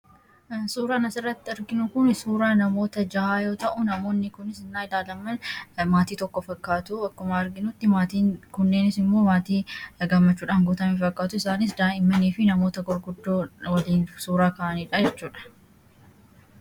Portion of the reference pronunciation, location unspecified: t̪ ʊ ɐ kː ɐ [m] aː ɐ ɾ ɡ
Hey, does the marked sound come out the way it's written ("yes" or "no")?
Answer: yes